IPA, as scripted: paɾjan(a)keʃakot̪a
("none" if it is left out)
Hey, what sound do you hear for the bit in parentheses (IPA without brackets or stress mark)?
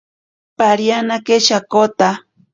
a